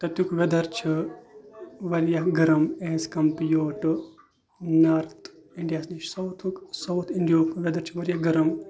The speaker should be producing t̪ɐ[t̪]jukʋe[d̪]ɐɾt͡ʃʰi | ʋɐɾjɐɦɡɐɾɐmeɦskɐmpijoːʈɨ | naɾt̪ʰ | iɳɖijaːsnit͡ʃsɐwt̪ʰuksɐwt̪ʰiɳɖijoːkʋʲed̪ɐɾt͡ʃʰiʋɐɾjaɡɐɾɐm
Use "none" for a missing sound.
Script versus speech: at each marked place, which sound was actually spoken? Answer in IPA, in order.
t̪, d̪

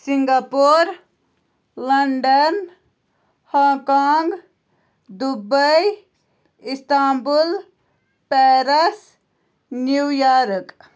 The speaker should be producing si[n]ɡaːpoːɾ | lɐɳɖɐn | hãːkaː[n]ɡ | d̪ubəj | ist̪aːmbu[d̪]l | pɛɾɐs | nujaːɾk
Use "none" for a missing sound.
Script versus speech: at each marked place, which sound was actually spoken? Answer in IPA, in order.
ŋ, ŋ, none

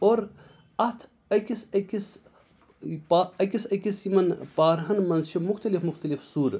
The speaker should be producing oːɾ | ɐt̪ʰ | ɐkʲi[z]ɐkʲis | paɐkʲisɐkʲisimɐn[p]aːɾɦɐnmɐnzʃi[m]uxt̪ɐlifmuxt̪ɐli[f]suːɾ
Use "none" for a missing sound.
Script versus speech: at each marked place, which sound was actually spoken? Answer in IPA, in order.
s, p, m, f

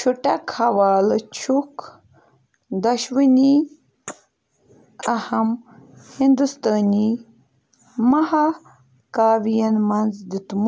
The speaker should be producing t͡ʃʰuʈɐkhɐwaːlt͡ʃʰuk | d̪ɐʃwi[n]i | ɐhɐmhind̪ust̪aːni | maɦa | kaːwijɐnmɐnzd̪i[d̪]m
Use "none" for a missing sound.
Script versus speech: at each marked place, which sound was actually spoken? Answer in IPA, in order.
n, t̪

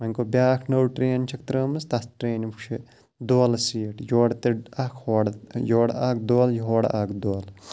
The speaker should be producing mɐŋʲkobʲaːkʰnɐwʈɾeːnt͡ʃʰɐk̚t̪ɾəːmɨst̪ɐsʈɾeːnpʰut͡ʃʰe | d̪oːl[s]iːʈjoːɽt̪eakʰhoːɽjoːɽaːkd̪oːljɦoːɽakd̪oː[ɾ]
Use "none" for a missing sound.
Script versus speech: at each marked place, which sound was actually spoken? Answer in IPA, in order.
s, l

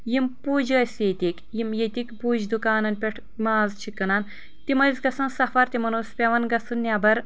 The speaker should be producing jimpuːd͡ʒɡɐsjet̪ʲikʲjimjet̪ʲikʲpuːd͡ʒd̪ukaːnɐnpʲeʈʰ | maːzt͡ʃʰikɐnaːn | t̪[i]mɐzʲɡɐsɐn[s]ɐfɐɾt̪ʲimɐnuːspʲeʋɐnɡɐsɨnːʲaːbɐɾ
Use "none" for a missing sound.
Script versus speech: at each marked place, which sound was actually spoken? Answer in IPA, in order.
i, s

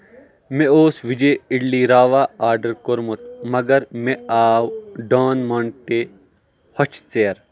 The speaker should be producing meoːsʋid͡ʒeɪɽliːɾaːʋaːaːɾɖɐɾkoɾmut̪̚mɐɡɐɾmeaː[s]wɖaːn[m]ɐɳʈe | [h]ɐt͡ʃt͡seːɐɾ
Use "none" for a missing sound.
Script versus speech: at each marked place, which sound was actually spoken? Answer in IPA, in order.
none, m, h

